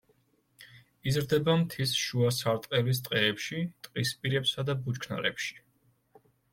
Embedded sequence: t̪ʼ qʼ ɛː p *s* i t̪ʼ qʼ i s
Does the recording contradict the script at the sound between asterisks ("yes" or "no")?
yes